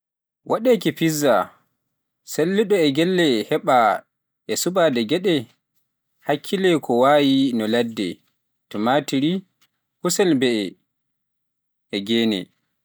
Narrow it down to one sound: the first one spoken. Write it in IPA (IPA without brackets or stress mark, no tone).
w